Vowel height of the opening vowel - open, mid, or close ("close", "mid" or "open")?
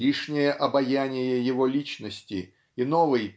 close